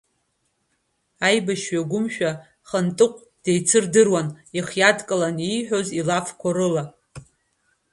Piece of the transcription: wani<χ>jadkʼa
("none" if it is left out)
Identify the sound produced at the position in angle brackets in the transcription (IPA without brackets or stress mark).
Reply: χ